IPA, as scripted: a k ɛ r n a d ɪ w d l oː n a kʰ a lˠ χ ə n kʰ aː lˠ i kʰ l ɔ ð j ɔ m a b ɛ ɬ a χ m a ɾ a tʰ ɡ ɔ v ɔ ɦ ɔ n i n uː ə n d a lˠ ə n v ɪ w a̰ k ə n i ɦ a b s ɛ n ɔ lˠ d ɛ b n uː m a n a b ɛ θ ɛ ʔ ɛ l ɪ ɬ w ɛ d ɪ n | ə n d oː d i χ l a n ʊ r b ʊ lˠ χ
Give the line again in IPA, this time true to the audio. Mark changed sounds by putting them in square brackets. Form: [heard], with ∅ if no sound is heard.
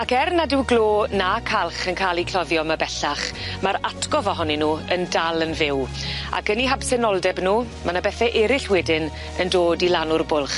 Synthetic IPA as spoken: a k ɛ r n a d ɪ w [ɡ] l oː n a kʰ a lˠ χ ə n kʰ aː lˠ i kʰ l ɔ ð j ɔ m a b ɛ ɬ a χ m a ɾ a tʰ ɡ ɔ v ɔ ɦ ɔ n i n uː ə n d a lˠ ə n v ɪ w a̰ k ə n i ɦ a b s ɛ n ɔ lˠ d ɛ b n uː m a n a b ɛ θ ɛ ʔ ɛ [ɾ] ɪ ɬ w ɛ d ɪ n | ə n d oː d i [∅] l a n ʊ r b ʊ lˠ χ

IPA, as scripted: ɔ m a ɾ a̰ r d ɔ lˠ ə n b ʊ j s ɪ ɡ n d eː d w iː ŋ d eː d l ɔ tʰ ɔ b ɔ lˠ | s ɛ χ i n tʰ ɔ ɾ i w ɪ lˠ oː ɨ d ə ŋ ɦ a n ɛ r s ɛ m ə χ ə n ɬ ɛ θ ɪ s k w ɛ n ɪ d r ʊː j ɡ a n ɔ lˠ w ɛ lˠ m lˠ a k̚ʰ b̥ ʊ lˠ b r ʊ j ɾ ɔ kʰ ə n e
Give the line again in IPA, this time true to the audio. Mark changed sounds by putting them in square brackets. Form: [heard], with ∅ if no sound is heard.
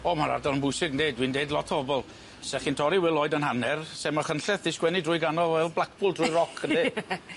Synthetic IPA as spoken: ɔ m a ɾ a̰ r d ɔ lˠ ə n b ʊ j s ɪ ɡ n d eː d w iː [n] d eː d l ɔ tʰ ɔ b ɔ lˠ | s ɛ χ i n tʰ ɔ ɾ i w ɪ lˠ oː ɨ d ə [n] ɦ a n ɛ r s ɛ m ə χ ə n ɬ ɛ θ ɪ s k w ɛ n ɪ d r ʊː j ɡ a n ɔ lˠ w ɛ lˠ [b] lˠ a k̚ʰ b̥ ʊ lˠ [d] r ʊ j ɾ ɔ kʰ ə n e

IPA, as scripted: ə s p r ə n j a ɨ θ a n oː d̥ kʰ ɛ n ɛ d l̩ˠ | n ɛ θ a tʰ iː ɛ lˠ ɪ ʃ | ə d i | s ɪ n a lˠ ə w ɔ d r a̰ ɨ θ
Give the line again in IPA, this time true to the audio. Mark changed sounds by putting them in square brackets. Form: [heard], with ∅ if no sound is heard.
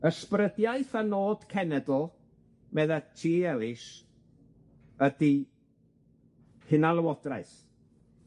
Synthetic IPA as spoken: ə s p r ə [d] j a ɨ θ a n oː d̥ kʰ ɛ n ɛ d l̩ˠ | [m] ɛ [ð] a tʰ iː ɛ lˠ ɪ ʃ | ə d i | [h] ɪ n a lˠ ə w ɔ d r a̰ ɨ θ

